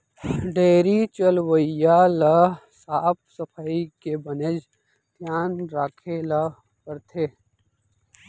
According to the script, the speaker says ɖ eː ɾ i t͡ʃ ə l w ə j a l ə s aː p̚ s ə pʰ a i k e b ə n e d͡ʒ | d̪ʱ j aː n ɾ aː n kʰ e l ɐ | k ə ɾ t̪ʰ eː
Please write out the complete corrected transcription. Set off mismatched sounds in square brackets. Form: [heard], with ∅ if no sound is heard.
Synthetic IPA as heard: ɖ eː ɾ i t͡ʃ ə l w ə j a l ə s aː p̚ s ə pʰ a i k e b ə n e d͡ʒ | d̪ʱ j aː n ɾ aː [∅] kʰ e l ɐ | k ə ɾ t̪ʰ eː

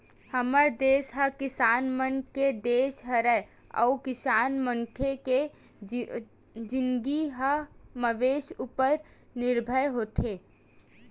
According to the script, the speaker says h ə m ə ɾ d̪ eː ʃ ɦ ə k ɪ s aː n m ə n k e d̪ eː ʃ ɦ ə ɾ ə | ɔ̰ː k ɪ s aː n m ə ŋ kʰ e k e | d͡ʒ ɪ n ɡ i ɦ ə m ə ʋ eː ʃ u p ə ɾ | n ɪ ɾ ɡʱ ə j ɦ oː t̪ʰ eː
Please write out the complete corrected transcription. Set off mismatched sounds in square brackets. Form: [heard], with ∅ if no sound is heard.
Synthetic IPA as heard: h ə m ə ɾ d̪ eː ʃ ɦ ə k ɪ s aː n m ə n k e d̪ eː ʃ ɦ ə ɾ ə | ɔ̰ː k ɪ s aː n m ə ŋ kʰ e k e | d͡ʒ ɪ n ɡ i ɦ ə m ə ʋ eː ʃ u p ə ɾ | n ɪ ɾ [bʱ] ə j ɦ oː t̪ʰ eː

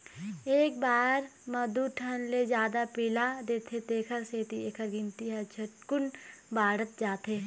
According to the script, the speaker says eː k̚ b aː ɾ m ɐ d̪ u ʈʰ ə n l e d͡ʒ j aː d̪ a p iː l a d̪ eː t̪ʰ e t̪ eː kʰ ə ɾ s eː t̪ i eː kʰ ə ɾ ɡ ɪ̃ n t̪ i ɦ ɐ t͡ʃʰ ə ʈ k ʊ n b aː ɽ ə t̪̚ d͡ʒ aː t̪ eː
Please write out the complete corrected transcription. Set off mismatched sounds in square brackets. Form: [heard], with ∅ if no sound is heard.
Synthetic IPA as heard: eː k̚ b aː ɾ m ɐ d̪ u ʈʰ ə n l e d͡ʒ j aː d̪ a p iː l a d̪ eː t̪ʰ e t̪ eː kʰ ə ɾ s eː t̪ i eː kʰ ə ɾ ɡ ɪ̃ n t̪ i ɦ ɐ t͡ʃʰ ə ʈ k ʊ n b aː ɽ ə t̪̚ d͡ʒ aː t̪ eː

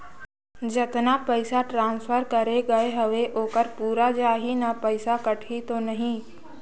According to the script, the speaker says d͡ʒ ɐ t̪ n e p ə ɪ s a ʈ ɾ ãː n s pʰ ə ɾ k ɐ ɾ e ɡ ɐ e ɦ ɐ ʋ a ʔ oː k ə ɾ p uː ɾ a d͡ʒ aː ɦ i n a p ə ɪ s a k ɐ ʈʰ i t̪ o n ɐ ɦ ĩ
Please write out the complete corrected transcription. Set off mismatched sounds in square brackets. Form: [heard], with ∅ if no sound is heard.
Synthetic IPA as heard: d͡ʒ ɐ t̪ n [a] p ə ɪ s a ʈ ɾ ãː n s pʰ ə ɾ k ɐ ɾ e ɡ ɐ e ɦ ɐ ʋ [e] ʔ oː k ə ɾ p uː ɾ a d͡ʒ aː ɦ i n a p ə ɪ s a k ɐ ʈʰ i t̪ o n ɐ ɦ ĩ

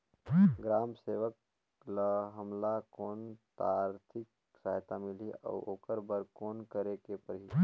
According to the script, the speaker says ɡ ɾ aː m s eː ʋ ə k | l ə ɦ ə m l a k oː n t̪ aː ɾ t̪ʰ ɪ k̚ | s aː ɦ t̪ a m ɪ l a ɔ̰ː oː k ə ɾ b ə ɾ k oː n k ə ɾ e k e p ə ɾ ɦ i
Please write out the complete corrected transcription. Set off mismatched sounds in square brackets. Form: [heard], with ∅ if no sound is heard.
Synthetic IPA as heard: ɡ ɾ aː m s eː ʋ ə k | l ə ɦ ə m l a k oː n t̪ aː ɾ t̪ʰ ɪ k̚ | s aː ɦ t̪ a m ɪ l [i] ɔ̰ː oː k ə ɾ b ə ɾ k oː n k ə ɾ e k e p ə ɾ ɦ i

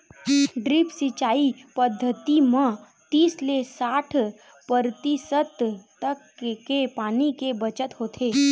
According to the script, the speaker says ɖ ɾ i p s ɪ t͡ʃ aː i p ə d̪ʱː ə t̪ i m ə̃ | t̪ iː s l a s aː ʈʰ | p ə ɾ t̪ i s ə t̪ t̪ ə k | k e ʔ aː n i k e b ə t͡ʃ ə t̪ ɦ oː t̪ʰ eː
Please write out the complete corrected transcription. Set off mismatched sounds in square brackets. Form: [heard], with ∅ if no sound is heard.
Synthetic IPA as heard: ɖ ɾ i p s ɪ t͡ʃ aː i p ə d̪ʱː ə t̪ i m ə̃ | t̪ iː s l [e] s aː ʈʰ | p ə ɾ t̪ i s ə t̪ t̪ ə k | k e [p] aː n i k e b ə t͡ʃ ə t̪ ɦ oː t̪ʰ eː

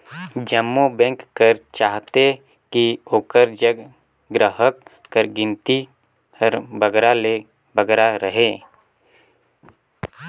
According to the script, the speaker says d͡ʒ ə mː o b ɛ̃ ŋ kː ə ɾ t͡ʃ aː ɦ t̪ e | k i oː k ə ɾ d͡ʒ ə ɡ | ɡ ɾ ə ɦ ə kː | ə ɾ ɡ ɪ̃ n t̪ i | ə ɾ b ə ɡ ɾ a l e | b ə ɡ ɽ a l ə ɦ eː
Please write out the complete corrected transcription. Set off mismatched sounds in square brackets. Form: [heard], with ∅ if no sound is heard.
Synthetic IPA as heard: d͡ʒ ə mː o b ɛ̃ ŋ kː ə ɾ t͡ʃ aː ɦ t̪ e | k i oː k ə ɾ d͡ʒ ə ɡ | ɡ ɾ ə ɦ ə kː | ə ɾ ɡ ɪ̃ n t̪ i | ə ɾ b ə ɡ ɾ a l e | b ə ɡ [ɾ] a [ɾ] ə ɦ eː

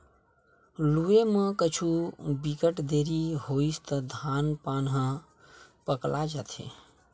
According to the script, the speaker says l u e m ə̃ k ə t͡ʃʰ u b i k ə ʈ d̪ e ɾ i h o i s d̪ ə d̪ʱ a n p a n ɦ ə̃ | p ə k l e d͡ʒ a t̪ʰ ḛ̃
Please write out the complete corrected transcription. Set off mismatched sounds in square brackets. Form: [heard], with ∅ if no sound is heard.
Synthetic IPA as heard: l u e m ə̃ k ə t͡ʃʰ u b i k ə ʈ d̪ e ɾ i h o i s [t̪] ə d̪ʱ a n p a n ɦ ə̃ | p ə k l [a] d͡ʒ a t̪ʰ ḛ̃

